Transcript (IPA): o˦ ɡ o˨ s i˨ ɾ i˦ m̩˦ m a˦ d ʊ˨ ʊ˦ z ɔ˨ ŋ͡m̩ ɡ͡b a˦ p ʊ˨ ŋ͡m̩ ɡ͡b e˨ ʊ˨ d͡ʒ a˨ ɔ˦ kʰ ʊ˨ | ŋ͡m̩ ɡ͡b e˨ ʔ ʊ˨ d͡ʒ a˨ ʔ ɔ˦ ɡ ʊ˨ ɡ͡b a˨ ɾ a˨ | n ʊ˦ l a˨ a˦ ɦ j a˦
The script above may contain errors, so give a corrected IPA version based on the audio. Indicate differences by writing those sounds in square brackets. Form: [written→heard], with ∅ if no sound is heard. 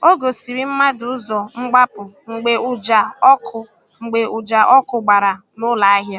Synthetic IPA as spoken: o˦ ɡ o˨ s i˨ ɾ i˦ m̩˦ m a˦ d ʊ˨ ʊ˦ z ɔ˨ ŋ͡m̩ ɡ͡b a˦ p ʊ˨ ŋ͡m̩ ɡ͡b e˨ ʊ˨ d͡ʒ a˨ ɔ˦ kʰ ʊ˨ | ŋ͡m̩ ɡ͡b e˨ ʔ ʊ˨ d͡ʒ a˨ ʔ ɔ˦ [ɡ→k] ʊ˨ ɡ͡b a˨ ɾ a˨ | n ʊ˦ l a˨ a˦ ɦ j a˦